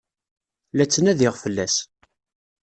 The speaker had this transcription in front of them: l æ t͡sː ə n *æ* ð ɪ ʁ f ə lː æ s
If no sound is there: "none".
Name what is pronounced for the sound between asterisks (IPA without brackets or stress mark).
æ